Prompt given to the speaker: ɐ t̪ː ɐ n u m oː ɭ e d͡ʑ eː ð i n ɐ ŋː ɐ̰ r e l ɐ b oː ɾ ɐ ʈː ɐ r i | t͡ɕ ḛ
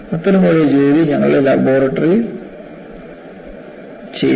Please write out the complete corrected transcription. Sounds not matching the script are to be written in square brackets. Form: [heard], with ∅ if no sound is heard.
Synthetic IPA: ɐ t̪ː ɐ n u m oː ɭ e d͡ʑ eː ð i [ɲ] ɐ ŋː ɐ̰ [ɭ] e l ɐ b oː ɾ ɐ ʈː ɐ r i | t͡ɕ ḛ